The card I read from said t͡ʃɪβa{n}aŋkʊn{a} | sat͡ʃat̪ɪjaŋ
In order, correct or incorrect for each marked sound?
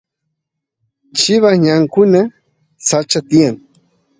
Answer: incorrect: ɲ, correct

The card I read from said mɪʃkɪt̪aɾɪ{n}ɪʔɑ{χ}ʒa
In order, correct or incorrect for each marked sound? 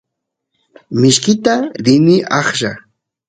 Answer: correct, correct

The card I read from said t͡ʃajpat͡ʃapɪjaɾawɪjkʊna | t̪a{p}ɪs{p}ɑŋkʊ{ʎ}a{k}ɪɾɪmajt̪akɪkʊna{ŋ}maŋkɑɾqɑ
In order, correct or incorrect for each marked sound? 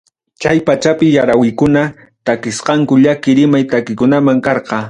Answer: incorrect: k, incorrect: q, correct, correct, incorrect: none

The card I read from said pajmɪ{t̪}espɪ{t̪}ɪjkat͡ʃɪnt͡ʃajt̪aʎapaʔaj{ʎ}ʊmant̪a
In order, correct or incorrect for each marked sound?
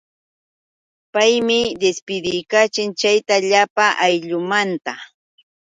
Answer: incorrect: d̪, incorrect: d̪, correct

